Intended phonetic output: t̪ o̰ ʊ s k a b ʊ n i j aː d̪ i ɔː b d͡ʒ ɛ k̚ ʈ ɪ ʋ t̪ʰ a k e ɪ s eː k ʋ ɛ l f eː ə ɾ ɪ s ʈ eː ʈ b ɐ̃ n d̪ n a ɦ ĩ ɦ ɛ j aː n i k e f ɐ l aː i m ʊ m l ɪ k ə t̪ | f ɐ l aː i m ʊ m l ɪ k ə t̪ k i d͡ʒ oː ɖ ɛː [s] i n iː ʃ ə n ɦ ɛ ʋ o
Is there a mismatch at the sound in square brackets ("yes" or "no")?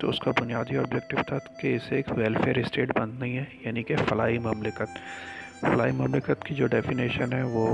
yes